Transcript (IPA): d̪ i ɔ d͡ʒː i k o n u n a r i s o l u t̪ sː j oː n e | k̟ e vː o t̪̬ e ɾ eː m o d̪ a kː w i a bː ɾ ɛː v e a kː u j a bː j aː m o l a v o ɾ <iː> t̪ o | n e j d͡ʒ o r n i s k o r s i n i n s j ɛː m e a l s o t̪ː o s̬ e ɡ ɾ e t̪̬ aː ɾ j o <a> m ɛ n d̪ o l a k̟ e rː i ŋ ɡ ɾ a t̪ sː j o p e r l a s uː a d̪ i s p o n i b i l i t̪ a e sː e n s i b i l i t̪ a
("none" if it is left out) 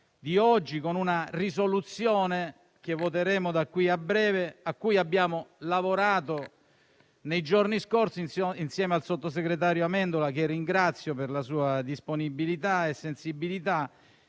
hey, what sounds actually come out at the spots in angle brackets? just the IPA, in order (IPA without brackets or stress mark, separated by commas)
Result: aː, a